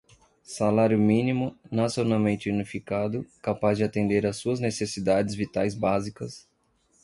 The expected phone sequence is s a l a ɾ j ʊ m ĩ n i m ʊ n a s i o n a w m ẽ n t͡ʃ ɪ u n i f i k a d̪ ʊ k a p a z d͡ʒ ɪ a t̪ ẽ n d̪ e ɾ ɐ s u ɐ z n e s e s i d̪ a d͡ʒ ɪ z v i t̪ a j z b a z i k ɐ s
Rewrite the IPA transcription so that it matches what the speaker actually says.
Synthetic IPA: s a l a ɾ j ʊ m ĩ n i m ʊ n a s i o n a w m ẽ n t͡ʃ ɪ u n i f i k a d̪ ʊ k a p a z d͡ʒ ɪ a t̪ ẽ n d̪ e ɾ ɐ s u ɐ z n e s e s i d̪ a d͡ʒ ɪ z v i t̪ a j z b a z i k ɐ s